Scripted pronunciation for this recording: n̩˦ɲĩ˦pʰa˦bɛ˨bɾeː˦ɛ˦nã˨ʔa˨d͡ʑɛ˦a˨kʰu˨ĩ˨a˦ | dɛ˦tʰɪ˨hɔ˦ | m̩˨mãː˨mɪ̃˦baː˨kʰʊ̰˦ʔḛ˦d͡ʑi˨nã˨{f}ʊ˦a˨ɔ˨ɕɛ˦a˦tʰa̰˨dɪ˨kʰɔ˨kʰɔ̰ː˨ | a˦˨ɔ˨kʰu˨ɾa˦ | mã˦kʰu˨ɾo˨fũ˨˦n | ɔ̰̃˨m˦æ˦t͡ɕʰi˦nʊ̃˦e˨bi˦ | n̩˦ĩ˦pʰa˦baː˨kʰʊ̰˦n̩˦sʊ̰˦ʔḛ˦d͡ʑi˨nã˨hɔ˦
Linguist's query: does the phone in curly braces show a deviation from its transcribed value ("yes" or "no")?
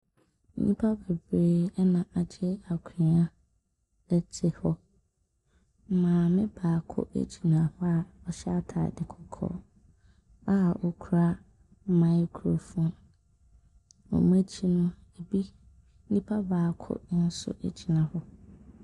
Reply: yes